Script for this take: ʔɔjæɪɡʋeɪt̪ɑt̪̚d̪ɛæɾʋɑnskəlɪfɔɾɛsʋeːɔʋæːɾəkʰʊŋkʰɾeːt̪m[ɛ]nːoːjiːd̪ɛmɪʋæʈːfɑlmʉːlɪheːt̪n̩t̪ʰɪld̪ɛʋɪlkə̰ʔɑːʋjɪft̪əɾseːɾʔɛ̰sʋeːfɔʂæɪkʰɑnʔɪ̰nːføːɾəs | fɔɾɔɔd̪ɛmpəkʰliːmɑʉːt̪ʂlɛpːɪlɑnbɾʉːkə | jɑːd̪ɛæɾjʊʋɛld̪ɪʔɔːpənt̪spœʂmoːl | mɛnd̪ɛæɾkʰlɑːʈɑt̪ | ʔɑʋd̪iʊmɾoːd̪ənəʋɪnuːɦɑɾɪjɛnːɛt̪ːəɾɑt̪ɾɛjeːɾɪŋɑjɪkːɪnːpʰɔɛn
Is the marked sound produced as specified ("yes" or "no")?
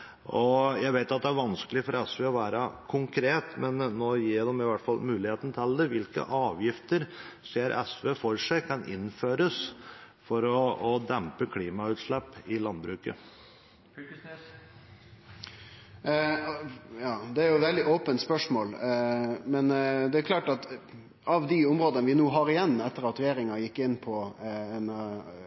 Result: yes